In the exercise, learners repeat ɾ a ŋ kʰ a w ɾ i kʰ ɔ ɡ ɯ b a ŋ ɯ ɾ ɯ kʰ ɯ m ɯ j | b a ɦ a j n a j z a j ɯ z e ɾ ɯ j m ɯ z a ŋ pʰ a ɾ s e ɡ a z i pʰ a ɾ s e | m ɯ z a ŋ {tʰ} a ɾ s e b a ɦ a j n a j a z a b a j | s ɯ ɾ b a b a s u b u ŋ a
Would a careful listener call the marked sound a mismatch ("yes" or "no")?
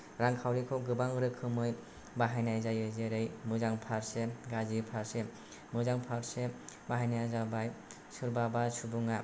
yes